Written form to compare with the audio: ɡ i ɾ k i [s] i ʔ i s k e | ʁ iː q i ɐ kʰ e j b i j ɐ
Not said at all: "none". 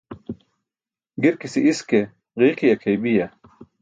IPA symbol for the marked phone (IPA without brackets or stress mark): s